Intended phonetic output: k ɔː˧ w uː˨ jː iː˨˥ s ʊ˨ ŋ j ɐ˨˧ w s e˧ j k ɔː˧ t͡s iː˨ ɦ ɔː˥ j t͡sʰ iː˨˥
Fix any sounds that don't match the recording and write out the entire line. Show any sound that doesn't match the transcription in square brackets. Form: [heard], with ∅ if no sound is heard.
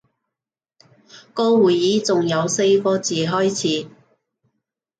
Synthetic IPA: k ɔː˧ w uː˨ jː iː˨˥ [t͡s] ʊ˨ ŋ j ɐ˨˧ w s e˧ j k ɔː˧ t͡s iː˨ ɦ ɔː˥ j t͡sʰ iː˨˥